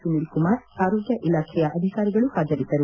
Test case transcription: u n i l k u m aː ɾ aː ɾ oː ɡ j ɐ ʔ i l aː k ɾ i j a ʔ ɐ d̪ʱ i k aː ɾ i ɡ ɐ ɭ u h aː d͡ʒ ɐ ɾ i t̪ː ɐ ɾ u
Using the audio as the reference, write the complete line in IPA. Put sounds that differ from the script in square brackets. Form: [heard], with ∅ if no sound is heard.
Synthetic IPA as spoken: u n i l k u m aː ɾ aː ɾ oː ɡ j ɐ ʔ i l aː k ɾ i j a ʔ ɐ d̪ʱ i k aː ɾ i ɡ ɐ ɭ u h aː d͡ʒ ɐ ɾ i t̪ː ɐ ɾ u